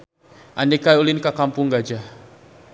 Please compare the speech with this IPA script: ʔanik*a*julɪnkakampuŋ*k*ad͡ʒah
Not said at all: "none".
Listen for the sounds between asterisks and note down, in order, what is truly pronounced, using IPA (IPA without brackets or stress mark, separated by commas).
a, ɡ